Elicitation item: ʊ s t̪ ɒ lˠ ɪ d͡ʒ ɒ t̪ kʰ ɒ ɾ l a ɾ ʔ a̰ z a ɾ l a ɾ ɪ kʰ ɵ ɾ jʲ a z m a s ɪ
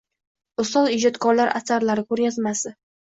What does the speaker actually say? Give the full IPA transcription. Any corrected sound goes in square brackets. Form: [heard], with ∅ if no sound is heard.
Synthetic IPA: ʊ s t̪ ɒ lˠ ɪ d͡ʒ ɒ t̪ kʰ ɒ ɾ l a ɾ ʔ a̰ [s] a ɾ l a ɾ ɪ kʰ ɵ ɾ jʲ a z m a s ɪ